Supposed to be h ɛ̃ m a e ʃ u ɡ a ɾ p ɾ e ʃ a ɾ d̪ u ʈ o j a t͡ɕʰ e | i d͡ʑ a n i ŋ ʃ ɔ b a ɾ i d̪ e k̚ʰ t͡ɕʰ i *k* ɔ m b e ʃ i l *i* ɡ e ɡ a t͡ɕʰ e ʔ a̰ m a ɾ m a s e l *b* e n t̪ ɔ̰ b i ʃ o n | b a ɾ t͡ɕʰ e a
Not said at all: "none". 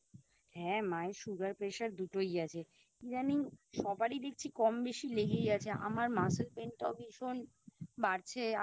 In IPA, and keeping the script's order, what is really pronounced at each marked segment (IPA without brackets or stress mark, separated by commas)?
k, e, p